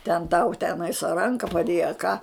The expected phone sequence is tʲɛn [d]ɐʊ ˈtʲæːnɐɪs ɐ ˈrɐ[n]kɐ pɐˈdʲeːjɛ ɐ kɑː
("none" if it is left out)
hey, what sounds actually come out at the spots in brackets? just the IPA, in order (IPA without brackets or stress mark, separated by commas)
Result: t, ŋ